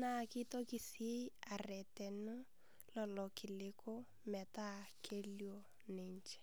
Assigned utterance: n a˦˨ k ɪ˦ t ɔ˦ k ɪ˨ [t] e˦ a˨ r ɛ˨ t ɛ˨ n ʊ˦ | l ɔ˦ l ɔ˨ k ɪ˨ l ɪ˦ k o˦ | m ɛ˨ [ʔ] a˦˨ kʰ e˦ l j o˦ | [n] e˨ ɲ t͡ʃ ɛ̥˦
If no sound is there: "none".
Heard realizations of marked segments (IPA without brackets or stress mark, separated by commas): s, t, n